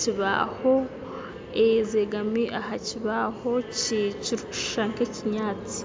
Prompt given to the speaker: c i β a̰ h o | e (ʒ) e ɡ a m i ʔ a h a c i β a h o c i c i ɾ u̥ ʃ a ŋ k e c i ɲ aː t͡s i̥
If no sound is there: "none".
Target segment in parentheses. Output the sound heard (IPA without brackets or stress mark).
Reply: z